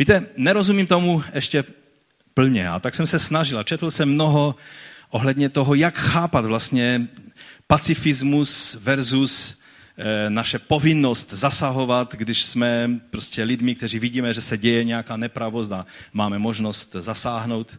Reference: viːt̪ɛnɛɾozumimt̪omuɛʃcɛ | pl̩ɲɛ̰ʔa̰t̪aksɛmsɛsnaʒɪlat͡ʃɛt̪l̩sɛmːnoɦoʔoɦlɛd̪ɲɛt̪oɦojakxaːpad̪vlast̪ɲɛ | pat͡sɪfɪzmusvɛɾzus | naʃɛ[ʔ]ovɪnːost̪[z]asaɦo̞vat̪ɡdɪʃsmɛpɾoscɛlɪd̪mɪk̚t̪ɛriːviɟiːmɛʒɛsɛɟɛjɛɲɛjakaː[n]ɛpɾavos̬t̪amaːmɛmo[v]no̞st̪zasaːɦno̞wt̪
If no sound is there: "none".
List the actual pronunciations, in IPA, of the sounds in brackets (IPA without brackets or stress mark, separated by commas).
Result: p, z, n, ʒ